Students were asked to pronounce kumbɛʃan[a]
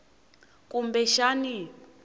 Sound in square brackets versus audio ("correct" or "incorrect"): incorrect